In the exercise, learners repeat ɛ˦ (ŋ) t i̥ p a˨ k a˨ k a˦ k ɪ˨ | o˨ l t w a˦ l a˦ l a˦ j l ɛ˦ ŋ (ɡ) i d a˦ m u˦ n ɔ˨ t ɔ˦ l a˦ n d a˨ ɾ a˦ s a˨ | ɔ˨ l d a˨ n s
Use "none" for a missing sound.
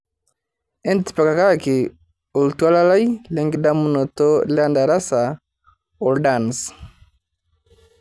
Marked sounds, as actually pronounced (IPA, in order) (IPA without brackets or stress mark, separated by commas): n, ɡ